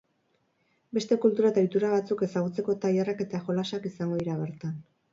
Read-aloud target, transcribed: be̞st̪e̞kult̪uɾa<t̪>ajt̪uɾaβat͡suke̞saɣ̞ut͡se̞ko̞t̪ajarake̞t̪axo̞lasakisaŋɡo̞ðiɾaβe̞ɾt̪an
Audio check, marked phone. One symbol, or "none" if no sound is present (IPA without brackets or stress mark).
t̪